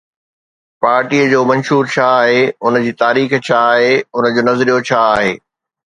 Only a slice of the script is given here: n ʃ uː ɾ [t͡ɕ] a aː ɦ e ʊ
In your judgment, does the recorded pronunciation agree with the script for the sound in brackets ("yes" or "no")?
no